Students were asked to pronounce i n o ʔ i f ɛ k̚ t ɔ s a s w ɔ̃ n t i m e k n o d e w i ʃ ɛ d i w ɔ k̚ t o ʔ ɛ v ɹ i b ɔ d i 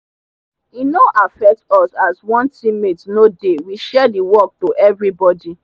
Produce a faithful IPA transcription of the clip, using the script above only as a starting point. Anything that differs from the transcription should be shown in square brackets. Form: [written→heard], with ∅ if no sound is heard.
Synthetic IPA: i n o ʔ [i→a] f ɛ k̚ t ɔ s a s w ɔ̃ n t i m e [k→t] n o d e w i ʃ ɛ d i w ɔ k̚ t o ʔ ɛ v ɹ i b ɔ d i